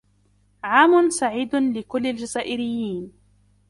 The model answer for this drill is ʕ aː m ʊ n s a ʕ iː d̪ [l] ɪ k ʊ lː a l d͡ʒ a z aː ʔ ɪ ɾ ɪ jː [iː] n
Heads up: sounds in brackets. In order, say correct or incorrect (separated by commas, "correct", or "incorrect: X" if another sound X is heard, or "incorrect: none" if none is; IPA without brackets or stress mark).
correct, correct